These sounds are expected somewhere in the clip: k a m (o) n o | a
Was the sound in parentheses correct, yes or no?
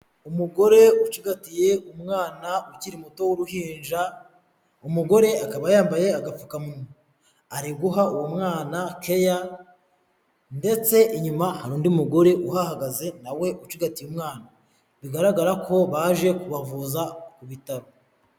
no